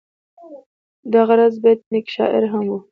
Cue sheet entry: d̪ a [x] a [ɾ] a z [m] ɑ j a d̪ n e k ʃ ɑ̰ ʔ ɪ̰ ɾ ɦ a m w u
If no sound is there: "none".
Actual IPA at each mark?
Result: ɣ, ɾ, b

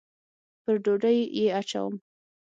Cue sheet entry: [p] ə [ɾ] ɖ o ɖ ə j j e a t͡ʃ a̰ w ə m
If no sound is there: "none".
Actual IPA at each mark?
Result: p, ɾ

